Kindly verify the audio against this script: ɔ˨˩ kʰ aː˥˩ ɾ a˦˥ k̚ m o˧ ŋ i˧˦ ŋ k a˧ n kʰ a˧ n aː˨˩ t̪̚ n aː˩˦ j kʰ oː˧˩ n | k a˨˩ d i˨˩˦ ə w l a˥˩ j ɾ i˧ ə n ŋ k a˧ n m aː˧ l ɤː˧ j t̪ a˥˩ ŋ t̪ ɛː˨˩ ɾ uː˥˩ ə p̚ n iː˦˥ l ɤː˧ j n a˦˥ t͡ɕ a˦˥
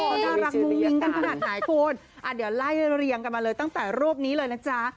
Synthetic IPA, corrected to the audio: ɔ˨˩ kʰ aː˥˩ ɾ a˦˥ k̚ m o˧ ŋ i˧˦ ŋ k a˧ n kʰ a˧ n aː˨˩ t̪̚ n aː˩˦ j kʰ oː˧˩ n | ʔ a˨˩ d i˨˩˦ ə w l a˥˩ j ɾ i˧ ə ŋ k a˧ n m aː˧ l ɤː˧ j t̪ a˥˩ ŋ t̪ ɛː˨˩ ɾ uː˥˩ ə p̚ n iː˦˥ l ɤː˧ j n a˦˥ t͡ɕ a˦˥